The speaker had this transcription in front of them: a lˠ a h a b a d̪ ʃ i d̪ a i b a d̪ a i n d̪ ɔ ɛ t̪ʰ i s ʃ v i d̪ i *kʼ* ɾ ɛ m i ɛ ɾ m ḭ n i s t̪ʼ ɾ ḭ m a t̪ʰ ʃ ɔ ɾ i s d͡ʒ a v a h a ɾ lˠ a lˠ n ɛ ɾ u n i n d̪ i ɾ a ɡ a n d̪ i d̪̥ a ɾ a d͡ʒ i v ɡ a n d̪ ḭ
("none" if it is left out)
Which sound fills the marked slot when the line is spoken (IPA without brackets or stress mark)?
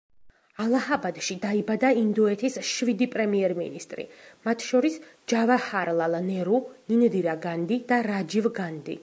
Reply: pʼ